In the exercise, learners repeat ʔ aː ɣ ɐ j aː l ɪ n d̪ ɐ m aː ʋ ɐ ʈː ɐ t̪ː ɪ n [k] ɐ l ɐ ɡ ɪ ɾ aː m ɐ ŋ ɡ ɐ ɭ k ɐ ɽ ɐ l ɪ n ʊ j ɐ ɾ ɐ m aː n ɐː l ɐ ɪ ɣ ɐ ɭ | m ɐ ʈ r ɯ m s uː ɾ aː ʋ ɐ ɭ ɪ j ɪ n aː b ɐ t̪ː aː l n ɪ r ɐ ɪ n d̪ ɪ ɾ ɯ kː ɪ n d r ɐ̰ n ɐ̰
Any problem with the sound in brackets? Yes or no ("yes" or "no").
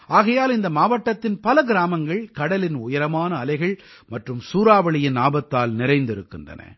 yes